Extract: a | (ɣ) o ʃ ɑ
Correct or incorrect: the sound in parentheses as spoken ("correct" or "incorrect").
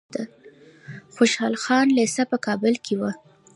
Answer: incorrect